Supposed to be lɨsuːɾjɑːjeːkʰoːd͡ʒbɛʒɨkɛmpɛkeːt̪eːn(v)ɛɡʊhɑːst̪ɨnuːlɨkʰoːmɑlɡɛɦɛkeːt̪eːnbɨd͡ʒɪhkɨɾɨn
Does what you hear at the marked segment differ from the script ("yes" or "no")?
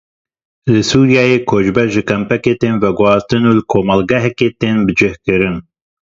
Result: no